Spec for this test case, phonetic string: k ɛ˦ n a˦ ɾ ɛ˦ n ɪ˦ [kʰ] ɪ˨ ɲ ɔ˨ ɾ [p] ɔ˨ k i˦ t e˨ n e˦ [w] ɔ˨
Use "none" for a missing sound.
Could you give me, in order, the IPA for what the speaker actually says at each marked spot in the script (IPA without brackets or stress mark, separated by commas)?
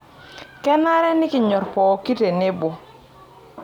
k, p, b